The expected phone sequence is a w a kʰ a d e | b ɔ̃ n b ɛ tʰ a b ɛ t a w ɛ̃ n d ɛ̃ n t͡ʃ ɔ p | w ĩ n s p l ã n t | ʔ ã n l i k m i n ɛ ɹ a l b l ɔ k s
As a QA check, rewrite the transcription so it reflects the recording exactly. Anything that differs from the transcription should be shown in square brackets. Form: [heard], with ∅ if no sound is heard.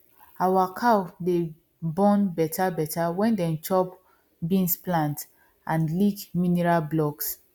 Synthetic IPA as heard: a w a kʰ a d e | b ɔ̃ n b ɛ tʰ a b ɛ t a w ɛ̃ n d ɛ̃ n t͡ʃ ɔ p | [b] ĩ n s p l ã n t | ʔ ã n l i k m i n ɛ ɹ a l b l ɔ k s

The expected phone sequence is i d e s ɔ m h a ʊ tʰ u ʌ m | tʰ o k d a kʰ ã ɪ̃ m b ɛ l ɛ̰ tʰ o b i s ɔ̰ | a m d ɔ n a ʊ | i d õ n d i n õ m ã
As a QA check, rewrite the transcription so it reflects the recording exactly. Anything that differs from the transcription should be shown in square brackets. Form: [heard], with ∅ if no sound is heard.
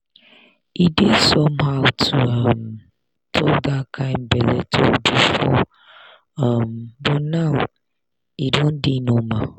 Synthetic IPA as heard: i d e s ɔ m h a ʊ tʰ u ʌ m | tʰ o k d a kʰ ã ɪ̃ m b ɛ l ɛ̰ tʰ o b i [f] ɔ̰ | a m [b] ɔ n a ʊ | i d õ n d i n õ m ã

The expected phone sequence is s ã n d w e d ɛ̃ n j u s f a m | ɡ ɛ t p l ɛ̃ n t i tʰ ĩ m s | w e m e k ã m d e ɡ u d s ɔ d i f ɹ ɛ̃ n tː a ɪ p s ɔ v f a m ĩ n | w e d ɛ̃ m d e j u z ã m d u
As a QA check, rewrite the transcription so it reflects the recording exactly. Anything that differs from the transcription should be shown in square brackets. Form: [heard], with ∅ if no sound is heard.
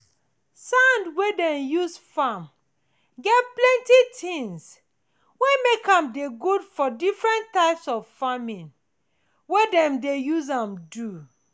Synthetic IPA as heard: s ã n d w e d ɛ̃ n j u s f a m | ɡ ɛ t p l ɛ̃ n t i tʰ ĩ [ŋ] s | w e m e k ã m d e ɡ u d [f] ɔ d i f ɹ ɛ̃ n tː a ɪ p s ɔ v f a m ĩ n | w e d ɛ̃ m d e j u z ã m d u

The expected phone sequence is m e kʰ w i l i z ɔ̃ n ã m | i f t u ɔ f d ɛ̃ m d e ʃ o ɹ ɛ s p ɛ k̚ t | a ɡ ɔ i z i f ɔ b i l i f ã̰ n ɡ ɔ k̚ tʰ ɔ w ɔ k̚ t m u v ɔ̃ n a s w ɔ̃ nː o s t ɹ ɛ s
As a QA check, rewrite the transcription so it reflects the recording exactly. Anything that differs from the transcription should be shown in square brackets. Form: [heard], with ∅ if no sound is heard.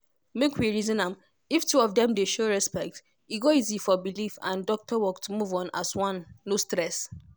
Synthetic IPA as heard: m e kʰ w i [ɹ] i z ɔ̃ n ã m | i f t u ɔ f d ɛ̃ m d e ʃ o ɹ ɛ s p ɛ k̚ t | [i] ɡ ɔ i z i f ɔ b i l i f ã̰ n [d] ɔ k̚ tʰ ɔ w ɔ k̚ t m u v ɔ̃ n a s w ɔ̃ nː o s t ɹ ɛ s

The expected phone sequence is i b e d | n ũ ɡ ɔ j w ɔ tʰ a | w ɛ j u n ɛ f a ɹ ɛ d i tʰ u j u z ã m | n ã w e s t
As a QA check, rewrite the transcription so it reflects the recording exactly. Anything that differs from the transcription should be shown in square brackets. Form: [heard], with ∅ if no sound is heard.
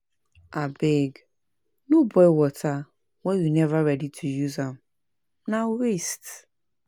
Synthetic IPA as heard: [a] b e [ɡ] | n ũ [b] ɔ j w ɔ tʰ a | w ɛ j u n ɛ [v] a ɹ ɛ d i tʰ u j u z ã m | n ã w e s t

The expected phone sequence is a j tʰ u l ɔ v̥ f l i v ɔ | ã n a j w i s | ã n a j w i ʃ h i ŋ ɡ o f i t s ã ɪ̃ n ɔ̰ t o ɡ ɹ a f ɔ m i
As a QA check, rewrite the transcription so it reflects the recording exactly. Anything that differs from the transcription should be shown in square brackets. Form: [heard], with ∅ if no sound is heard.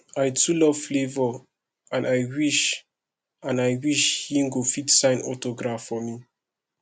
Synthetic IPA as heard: a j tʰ u l ɔ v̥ f l [e] v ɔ | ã n a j w i [ʃ] | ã n a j w i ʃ h i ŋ ɡ o f i t s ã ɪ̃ n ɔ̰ t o ɡ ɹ a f ɔ m i

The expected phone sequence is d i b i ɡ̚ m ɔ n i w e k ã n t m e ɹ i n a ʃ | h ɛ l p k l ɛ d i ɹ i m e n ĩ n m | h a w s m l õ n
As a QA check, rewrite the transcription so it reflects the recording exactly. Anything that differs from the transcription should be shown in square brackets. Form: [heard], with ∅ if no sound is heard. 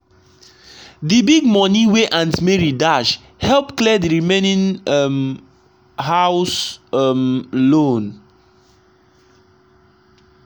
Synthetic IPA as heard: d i b i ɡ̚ m ɔ n i w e [ʔ] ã n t m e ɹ i [d] a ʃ | h ɛ l p k l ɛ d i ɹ i m e n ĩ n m | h a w s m l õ n

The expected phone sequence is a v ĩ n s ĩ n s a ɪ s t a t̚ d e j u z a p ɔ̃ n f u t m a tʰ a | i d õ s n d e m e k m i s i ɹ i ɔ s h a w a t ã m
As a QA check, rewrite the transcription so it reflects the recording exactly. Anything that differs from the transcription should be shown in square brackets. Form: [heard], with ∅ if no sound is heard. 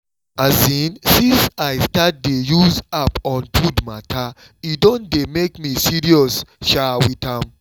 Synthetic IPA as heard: a [z] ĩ n s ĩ n s a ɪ s t a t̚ d e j u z a p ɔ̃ n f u [d] m a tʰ a | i d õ [∅] n d e m e k m i s i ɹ i ɔ s [ʃ] a w [i] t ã m

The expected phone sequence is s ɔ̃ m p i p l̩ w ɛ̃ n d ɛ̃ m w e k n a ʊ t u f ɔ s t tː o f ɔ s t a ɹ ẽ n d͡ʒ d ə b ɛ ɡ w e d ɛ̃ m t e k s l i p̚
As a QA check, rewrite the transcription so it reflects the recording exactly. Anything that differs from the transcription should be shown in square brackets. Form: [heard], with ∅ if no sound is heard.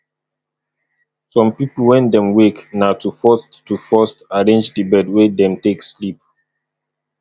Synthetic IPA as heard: s ɔ̃ m p i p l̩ w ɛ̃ n d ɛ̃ m w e k n a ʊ t u f ɔ s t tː [u] f ɔ s t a ɹ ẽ n d͡ʒ d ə b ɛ [d] w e d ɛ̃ m t e k s l i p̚

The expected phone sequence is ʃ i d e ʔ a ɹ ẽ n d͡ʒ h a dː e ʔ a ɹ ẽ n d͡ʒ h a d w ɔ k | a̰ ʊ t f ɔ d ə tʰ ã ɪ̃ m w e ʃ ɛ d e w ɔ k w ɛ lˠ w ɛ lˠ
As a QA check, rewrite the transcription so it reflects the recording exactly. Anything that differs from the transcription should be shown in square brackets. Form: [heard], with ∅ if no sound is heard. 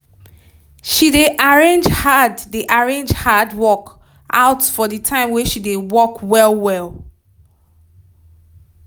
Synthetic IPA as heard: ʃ i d e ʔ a ɹ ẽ n d͡ʒ h a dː e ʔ a ɹ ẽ n d͡ʒ h a d w ɔ k | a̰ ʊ t f ɔ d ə tʰ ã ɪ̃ m w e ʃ [i] d e w ɔ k w ɛ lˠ w ɛ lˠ

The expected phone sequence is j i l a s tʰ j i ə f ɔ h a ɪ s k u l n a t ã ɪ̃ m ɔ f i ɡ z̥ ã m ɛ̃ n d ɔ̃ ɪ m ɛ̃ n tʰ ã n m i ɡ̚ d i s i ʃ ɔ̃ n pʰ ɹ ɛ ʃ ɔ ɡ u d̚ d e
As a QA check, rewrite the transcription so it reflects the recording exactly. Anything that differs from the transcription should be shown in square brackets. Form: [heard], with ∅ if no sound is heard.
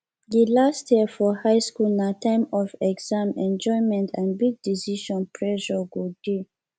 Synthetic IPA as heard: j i l a s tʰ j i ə f ɔ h a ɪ s k u l n a t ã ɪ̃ m ɔ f [ɛ] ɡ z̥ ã m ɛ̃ n [d͡ʒ] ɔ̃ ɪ m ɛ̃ n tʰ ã n [b] i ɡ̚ d i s i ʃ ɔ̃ n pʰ ɹ ɛ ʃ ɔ ɡ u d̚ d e

